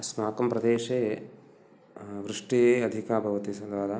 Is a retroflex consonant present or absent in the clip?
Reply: present